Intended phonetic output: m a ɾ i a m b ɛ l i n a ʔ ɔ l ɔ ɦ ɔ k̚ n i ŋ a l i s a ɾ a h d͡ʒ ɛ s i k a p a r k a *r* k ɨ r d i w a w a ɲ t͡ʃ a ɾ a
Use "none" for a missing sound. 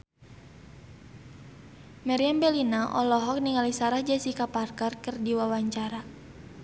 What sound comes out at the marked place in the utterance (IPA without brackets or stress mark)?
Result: r